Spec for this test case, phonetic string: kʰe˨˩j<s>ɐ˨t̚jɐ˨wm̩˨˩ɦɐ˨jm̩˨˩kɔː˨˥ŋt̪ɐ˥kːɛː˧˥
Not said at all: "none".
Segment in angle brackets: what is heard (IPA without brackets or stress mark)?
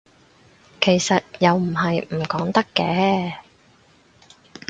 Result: s